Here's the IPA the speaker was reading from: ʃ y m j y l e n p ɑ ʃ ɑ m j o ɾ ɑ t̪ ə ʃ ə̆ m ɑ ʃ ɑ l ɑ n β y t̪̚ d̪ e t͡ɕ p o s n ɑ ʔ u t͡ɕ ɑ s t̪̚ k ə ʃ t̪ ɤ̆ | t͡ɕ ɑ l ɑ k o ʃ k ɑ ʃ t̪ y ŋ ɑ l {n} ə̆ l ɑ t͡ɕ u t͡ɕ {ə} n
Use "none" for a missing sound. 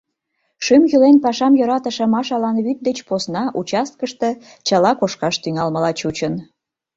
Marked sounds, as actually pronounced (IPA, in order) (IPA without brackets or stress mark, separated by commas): m, ə